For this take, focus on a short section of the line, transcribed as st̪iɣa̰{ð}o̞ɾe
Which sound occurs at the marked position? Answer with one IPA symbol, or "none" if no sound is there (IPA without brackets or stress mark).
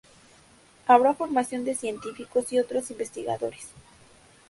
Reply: ð